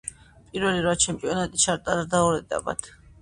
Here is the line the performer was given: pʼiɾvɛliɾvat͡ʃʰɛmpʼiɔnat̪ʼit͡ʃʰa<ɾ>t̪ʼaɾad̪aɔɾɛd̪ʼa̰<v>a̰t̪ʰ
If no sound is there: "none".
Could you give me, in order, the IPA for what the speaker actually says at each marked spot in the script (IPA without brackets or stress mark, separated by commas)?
ɾ, b